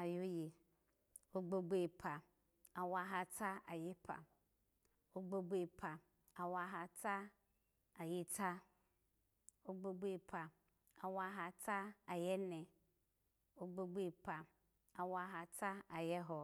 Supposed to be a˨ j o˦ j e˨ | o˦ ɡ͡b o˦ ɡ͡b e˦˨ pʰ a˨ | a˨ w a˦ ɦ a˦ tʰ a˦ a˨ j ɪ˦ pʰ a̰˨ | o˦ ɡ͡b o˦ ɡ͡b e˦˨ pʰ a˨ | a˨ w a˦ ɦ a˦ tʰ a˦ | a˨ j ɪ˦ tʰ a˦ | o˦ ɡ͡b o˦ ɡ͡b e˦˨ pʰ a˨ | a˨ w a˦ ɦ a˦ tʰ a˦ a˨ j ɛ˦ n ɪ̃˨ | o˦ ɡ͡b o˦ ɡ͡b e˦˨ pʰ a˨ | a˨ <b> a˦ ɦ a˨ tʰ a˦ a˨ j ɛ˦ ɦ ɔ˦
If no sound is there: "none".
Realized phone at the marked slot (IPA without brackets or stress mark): w